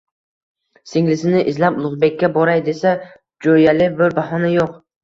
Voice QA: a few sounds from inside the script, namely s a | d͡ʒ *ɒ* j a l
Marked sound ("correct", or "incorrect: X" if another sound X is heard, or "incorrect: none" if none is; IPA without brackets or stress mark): incorrect: o